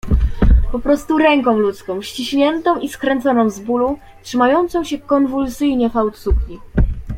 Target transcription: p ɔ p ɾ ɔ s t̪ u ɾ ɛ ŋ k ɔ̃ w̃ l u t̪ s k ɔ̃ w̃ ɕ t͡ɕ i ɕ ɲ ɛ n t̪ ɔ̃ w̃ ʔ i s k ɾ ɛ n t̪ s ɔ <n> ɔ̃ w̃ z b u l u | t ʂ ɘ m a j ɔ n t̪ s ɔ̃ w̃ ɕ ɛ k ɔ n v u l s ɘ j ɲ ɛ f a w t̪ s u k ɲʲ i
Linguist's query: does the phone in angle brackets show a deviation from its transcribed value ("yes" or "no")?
no